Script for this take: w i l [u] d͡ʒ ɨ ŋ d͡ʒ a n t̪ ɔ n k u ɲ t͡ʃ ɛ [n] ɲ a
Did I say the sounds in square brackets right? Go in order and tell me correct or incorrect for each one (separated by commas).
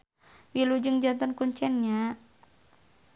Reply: correct, correct